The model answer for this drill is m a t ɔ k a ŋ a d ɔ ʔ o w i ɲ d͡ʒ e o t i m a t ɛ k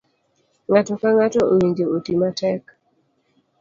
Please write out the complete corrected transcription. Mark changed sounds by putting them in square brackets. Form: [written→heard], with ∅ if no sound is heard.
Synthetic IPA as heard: [m→ŋ] a t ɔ k a ŋ a [d→t] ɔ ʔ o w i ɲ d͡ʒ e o t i m a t ɛ k